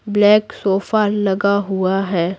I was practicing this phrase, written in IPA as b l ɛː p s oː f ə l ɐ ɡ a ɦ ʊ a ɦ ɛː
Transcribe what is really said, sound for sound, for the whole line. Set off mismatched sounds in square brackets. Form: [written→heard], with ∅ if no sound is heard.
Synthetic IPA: b l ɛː [p→k] s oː f [ə→a] l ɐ ɡ a ɦ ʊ a ɦ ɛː